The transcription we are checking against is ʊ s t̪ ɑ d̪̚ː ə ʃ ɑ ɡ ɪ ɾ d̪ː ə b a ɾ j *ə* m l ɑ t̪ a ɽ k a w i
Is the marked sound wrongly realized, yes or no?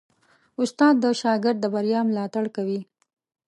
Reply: yes